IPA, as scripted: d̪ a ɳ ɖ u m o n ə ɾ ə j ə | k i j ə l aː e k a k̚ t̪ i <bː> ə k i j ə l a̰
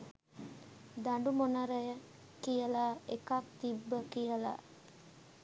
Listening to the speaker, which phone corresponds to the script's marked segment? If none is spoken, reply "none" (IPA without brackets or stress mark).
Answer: bː